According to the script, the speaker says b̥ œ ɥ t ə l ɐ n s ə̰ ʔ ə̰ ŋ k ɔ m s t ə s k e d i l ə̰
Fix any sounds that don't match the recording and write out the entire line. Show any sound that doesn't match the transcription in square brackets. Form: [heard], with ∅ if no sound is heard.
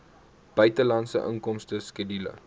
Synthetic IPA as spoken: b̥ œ ɥ t ə l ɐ n s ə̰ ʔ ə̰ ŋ k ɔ m s t ə s k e d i l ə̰

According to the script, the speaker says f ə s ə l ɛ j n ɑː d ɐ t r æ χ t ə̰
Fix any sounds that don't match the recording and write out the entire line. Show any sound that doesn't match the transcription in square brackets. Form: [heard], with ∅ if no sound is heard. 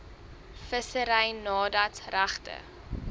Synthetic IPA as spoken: f ə s ə [ɾ] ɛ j n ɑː d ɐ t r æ χ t ə̰

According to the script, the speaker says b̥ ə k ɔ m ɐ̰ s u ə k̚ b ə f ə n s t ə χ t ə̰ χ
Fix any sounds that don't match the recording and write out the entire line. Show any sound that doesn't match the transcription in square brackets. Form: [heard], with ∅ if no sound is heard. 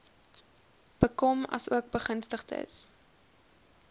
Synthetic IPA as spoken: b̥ ə k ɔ m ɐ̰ s u ə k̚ b ə [χ] ə n s t ə χ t ə̰ [s]

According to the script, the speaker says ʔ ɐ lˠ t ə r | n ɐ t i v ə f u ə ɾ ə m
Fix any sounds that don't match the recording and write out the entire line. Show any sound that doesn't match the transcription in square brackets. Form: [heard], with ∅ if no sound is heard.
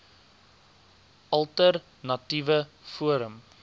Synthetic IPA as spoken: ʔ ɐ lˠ t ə r | n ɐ t i v ə f u ə ɾ ə m

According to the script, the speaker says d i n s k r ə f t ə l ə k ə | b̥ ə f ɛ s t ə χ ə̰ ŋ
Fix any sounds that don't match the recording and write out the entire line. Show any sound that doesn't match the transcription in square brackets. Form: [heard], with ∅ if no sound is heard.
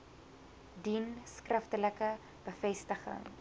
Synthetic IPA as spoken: d i n s k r ə f t ə l ə k ə | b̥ ə f ɛ s t ə χ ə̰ ŋ

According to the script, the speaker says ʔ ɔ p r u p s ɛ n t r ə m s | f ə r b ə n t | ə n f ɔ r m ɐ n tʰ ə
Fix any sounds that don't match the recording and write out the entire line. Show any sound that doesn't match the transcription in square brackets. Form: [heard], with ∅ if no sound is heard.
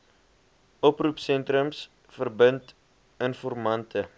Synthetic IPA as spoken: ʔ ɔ p r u p s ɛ n t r ə m s | f ə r b ə n t | ə n f ɔ r m ɐ n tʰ ə

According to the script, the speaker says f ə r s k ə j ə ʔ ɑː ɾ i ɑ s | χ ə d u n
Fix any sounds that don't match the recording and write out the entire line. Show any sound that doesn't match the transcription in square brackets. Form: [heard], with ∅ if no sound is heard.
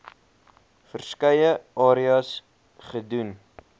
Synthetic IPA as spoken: f ə r s k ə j ə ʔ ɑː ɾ i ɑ s | χ ə d u n

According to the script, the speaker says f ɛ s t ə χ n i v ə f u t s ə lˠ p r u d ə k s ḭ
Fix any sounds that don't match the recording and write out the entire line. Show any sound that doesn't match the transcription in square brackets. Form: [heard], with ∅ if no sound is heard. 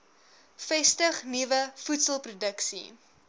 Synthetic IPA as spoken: f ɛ s t ə χ n i v ə f u t s ə lˠ p r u d ə k s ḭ

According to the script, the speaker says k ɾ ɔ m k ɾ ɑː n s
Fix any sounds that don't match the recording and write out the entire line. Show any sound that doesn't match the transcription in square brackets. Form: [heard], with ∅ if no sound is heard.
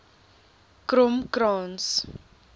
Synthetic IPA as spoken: k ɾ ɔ m k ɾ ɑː n s

